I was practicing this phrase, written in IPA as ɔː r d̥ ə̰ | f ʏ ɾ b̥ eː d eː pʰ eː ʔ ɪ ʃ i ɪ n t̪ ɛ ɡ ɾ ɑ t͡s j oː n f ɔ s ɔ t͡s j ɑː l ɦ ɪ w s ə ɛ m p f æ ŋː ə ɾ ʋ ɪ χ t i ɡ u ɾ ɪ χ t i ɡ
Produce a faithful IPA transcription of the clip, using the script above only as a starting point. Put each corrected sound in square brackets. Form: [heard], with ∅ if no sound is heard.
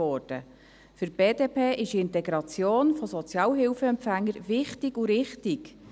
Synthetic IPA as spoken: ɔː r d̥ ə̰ | f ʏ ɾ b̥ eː d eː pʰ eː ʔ ɪ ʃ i ɪ n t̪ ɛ ɡ ɾ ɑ t͡s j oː n f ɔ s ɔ t͡s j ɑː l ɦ ɪ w [f] ə ɛ m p f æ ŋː ə ɾ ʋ ɪ χ t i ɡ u ɾ ɪ χ t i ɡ